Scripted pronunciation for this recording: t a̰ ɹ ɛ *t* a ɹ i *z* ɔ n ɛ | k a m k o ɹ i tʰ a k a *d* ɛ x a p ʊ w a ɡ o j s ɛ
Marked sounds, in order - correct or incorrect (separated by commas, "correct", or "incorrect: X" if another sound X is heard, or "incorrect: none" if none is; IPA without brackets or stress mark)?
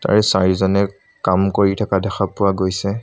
incorrect: s, correct, correct